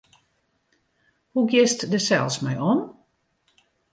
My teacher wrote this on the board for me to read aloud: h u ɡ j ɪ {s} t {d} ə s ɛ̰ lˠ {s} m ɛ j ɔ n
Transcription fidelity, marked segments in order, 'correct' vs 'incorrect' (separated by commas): correct, correct, correct